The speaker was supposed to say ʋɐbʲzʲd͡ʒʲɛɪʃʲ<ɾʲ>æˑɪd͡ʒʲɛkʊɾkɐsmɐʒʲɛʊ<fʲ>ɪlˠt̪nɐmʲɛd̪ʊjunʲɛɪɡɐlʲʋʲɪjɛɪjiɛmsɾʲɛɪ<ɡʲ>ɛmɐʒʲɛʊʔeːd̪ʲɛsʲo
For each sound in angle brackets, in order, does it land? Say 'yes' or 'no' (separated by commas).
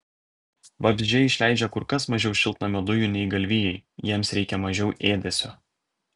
no, no, no